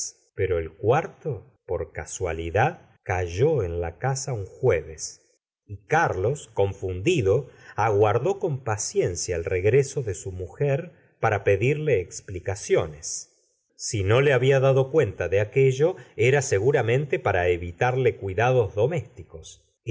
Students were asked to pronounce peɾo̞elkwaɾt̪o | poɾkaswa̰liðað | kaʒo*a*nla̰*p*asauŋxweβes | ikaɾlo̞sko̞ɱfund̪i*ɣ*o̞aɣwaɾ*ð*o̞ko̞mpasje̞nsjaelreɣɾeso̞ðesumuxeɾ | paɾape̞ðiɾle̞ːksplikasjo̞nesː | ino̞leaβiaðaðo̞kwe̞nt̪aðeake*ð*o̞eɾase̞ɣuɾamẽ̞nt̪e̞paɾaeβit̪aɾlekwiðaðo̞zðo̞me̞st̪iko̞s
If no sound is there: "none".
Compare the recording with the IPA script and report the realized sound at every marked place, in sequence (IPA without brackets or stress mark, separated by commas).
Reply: e, k, ð, ð, ʒ